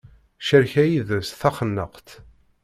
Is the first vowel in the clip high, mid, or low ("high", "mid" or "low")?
mid